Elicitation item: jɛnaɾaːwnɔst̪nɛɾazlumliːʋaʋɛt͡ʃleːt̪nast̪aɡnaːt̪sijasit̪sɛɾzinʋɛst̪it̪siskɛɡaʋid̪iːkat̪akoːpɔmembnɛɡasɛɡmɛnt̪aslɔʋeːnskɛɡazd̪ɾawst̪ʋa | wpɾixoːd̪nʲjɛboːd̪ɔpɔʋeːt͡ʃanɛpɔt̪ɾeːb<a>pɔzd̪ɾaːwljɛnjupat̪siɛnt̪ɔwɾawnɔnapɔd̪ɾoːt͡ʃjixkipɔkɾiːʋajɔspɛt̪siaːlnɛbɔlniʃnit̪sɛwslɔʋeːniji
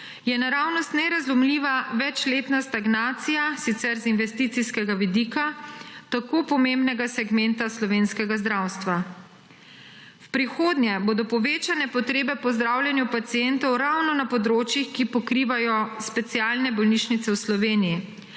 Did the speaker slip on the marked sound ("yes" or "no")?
yes